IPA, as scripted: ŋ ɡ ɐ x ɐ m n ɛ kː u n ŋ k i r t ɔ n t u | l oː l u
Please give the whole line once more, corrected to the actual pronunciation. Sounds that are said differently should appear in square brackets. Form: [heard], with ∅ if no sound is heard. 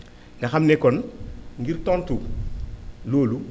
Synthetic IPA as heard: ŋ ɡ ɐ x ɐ m n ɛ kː [ɔ] n ŋ [ɡ] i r t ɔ n t u | l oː l u